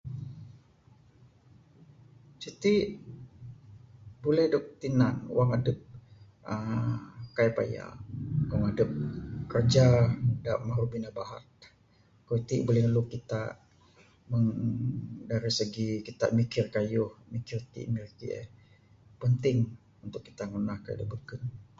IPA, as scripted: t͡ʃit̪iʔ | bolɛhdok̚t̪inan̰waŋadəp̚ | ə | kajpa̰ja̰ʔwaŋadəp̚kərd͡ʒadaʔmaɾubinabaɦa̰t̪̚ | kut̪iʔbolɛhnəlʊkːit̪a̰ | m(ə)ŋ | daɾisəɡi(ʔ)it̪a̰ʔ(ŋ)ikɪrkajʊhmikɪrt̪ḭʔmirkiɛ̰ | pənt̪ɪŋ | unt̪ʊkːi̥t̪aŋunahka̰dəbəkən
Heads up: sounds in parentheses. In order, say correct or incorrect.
correct, incorrect: k, incorrect: m

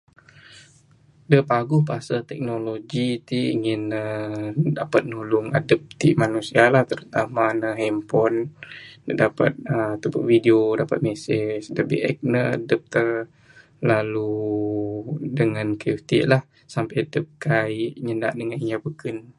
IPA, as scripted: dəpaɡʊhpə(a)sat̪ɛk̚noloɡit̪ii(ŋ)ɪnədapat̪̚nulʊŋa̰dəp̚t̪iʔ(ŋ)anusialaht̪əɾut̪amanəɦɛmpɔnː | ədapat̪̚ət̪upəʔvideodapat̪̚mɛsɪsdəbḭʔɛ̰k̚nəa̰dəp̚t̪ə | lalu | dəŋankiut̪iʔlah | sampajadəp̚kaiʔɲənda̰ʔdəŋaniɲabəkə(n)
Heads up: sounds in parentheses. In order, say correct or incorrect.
correct, correct, incorrect: m, correct

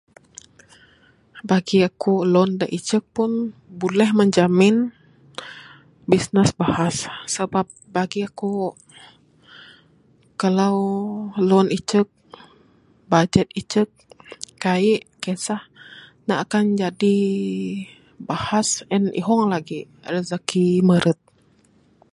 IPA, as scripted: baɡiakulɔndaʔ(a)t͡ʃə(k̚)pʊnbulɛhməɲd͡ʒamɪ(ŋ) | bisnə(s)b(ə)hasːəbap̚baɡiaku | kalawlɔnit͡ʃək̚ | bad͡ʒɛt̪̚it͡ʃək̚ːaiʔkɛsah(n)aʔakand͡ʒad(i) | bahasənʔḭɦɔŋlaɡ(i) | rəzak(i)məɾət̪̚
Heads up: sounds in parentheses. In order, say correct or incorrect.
incorrect: i, correct, incorrect: n, correct, incorrect: a, correct, correct, correct, correct

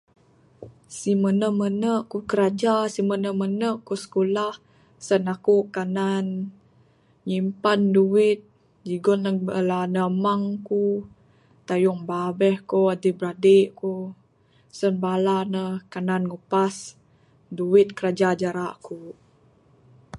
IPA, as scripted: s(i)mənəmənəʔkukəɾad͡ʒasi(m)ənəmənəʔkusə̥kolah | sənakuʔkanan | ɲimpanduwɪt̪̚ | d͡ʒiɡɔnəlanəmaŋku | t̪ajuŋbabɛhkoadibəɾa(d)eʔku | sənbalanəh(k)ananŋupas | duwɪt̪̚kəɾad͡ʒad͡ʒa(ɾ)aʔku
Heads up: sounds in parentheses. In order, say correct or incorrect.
correct, correct, correct, correct, correct

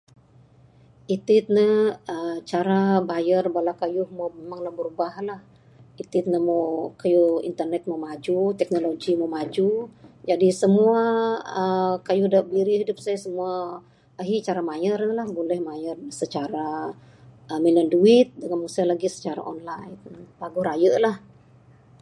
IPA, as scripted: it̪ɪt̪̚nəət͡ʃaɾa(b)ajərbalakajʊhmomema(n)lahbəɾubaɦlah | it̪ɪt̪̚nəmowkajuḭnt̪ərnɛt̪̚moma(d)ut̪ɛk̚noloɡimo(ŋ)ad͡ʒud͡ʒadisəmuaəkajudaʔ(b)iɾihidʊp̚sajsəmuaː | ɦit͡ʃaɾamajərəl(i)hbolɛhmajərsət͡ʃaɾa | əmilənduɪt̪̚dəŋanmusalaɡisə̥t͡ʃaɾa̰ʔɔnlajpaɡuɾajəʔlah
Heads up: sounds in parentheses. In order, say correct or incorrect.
correct, incorrect: ŋ, incorrect: d͡ʒ, incorrect: m, correct, incorrect: a

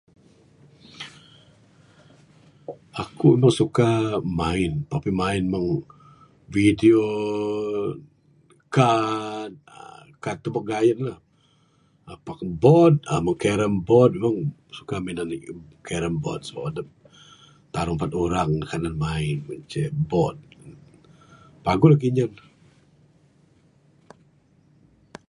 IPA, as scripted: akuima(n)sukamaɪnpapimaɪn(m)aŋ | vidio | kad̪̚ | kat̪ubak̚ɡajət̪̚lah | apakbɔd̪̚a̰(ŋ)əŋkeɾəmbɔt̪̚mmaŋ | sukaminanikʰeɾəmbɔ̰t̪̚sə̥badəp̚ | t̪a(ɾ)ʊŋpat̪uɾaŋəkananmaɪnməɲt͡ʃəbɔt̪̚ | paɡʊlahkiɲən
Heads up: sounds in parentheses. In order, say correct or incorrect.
incorrect: ŋ, correct, incorrect: m, correct

